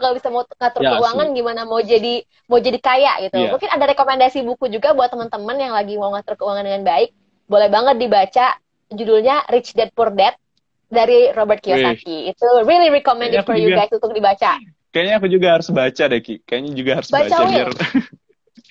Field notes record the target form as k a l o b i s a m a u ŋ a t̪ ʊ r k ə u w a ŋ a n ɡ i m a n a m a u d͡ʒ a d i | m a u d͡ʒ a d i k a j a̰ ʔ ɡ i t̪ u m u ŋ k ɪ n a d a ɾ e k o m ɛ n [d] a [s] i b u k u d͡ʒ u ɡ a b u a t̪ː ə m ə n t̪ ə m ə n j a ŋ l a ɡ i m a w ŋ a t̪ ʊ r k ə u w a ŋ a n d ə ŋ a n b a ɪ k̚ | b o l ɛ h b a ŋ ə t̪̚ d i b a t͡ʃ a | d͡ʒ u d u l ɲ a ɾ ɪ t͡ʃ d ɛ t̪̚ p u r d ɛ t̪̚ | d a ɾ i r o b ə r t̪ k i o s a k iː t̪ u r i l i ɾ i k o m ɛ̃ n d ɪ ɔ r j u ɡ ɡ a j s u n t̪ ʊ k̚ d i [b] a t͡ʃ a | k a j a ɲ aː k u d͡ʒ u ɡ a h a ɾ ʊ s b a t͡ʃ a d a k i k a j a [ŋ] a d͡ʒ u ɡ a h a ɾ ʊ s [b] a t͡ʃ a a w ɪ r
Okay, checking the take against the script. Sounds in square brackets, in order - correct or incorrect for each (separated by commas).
correct, correct, correct, incorrect, correct